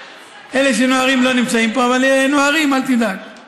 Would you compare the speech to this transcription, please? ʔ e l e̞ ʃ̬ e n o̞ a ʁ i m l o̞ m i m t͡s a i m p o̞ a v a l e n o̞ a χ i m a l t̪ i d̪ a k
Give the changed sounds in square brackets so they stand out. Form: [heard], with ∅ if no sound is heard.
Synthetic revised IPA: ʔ e l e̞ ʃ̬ e n o̞ a ʁ i m l o̞ [n] i m t͡s a i m p o̞ a v a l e n o̞ a [ʁ] i m a l t̪ i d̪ a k